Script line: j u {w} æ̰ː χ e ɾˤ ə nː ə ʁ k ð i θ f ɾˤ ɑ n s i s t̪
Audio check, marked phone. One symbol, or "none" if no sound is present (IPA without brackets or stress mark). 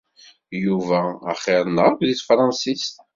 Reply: v